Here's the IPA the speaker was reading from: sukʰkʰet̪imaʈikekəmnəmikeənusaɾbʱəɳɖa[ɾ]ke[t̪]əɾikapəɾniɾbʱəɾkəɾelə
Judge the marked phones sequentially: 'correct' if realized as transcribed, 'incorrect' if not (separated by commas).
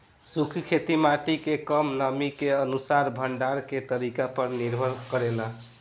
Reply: correct, correct